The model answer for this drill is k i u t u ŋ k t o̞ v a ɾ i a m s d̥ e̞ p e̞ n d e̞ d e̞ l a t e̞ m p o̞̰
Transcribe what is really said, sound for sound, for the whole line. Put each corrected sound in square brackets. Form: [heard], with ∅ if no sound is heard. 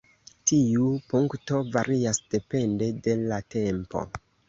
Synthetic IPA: [t] i u [p] u ŋ k t o̞ v a ɾ i a [∅] s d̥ e̞ p e̞ n d e̞ d e̞ l a t e̞ m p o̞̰